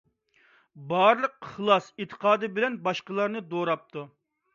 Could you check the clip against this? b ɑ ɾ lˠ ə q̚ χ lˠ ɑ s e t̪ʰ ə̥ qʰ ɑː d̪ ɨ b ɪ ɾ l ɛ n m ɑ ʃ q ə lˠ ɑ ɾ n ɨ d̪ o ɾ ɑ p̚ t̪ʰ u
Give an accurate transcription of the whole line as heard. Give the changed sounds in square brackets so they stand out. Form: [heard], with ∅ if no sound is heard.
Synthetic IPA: b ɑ ɾ lˠ ə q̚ χ lˠ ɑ s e t̪ʰ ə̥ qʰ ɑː d̪ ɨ b ɪ [∅] l ɛ n [b] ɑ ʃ q ə lˠ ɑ ɾ n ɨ d̪ o ɾ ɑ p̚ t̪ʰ u